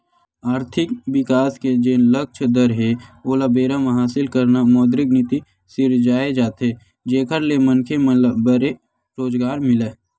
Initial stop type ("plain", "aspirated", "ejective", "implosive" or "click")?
aspirated